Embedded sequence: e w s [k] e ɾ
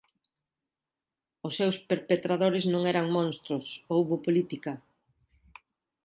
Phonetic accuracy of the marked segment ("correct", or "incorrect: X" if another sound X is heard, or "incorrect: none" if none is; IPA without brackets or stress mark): incorrect: p